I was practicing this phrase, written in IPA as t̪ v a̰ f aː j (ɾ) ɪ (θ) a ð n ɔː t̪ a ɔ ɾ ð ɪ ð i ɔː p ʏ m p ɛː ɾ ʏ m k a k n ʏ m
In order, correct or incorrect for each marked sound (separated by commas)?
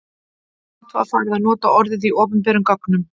correct, incorrect